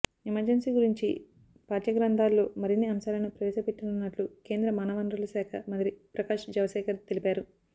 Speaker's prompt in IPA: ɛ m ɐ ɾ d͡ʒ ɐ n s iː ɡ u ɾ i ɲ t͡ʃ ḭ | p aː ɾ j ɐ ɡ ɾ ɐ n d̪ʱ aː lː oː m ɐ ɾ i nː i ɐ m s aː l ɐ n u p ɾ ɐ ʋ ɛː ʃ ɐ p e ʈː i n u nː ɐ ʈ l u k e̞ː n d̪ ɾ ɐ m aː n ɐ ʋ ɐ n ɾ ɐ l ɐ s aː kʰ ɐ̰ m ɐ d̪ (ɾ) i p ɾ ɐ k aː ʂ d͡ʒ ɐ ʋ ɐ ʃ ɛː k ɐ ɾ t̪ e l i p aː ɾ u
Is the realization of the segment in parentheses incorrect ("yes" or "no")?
no